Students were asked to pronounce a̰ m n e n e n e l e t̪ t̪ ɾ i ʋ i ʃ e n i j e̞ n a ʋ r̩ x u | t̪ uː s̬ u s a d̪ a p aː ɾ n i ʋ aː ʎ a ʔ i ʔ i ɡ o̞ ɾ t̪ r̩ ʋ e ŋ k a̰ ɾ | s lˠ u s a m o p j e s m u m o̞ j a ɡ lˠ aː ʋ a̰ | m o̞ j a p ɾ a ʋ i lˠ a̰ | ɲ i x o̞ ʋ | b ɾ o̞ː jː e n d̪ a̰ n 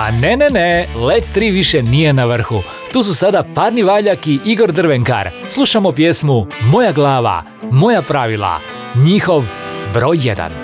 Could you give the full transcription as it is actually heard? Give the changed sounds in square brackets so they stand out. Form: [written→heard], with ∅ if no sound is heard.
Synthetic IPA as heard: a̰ [m→∅] n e n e n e l e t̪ t̪ ɾ i ʋ i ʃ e n i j e̞ n a ʋ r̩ x u | t̪ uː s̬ u s a d̪ a p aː ɾ n i ʋ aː ʎ a [ʔ→k] i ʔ i ɡ o̞ ɾ [t̪→d̪] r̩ ʋ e ŋ k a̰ ɾ | s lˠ u [s→ʃ] a m o p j e s m u m o̞ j a ɡ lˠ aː ʋ a̰ | m o̞ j a p ɾ a ʋ i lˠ a̰ | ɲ i x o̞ ʋ | b ɾ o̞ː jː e [n→∅] d̪ a̰ n